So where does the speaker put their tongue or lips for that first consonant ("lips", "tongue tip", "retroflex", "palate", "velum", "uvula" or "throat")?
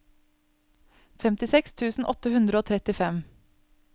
lips